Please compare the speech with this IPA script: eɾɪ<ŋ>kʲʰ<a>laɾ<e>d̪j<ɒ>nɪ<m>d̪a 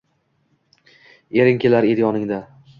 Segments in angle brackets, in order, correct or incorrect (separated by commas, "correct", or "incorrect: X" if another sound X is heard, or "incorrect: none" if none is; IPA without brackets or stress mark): correct, incorrect: e, correct, correct, incorrect: ŋ